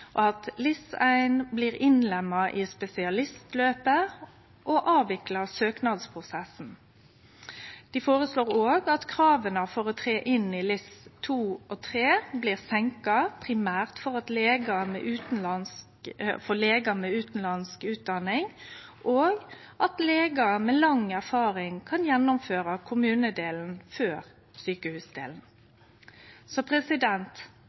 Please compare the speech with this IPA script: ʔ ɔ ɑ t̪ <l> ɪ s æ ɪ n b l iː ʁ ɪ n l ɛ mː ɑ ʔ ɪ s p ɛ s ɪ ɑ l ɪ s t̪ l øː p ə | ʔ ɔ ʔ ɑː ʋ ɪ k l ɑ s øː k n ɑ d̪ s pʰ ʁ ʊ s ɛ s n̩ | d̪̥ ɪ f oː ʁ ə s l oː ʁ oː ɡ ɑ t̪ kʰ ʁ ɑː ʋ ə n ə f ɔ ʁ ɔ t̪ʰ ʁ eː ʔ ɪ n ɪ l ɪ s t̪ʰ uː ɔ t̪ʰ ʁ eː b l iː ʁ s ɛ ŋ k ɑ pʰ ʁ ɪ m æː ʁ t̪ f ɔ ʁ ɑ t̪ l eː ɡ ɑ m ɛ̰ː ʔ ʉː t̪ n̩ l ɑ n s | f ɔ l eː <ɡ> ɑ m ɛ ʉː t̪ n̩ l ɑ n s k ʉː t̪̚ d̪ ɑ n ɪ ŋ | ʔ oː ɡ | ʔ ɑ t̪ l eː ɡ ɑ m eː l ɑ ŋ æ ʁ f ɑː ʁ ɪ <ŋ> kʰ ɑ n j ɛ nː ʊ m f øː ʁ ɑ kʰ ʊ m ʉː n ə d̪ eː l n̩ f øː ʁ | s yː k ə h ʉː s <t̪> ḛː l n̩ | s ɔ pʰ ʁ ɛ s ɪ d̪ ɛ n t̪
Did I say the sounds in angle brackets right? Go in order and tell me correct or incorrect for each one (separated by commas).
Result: correct, correct, correct, incorrect